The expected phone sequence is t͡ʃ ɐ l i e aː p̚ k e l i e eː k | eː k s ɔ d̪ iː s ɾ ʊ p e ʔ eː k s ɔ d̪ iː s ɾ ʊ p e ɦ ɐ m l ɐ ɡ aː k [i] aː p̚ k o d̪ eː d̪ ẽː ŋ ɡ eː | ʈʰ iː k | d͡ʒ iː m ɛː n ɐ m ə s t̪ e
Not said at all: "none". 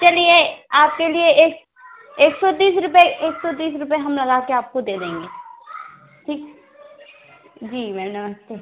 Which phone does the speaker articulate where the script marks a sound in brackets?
e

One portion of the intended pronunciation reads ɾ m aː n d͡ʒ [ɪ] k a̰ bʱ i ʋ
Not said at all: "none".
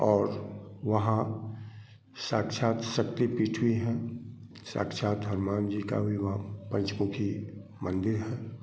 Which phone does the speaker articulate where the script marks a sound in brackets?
i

